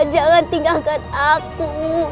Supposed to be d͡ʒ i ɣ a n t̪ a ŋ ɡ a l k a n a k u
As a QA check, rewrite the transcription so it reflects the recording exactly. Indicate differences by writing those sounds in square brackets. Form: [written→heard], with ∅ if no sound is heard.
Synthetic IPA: d͡ʒ [i→a] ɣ a n t̪ [a→i] ŋ ɡ a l k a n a k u

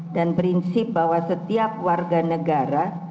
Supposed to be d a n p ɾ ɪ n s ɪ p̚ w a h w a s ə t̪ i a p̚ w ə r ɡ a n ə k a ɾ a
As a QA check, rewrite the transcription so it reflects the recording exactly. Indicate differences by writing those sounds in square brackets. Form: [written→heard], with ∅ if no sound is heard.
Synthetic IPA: d a n p ɾ [ɪ→i] n s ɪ p̚ [w→b] a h w a s ə t̪ i a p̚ w [ə→a] r ɡ a n ə [k→ɡ] a ɾ a

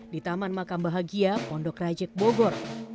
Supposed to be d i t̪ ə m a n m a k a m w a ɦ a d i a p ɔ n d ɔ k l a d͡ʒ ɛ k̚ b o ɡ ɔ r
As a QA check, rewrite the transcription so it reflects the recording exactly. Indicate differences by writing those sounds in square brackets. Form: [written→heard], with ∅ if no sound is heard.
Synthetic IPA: d i t̪ [ə→a] m a n m a k a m [w→b] a ɦ a [d→ɡ] i a p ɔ n d ɔ k [l→r] a d͡ʒ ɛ k̚ b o ɡ ɔ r

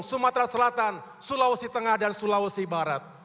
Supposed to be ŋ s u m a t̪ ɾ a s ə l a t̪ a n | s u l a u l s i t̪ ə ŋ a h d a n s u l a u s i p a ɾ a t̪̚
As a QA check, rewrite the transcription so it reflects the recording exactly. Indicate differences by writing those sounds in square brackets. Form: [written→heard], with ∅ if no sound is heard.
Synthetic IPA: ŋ s u m a t̪ ɾ a s ə l a t̪ a n | s u l a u [l→∅] s i t̪ ə ŋ a h d a n s u l a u s i [p→b] a ɾ a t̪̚

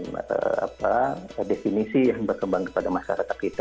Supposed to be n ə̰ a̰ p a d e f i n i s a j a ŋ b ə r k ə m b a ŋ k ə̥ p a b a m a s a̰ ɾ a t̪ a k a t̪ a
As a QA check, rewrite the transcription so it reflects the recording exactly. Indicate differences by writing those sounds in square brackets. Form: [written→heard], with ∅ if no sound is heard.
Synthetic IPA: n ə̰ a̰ p a d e f i n i s [a→i] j a ŋ b ə r k ə m b a ŋ k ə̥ p a [b→d] a m a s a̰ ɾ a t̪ a k [a→i] t̪ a

